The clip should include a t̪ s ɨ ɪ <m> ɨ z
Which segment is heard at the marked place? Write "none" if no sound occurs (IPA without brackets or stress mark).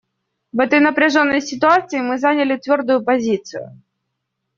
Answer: m